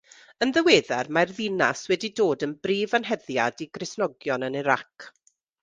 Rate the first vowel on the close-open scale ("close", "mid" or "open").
mid